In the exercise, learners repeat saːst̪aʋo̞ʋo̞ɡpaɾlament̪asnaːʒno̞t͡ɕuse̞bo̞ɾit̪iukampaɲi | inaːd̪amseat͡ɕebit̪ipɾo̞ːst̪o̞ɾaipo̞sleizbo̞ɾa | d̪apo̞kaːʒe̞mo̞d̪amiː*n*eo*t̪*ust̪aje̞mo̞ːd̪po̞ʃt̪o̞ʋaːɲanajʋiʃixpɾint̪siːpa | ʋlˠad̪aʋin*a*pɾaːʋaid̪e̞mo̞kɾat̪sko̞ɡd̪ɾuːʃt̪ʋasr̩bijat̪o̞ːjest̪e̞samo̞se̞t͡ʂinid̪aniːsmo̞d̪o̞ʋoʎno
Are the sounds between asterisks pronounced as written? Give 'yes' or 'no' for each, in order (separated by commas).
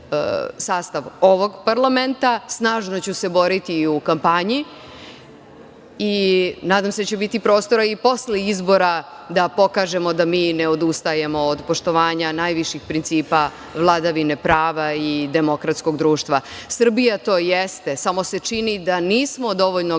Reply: yes, no, no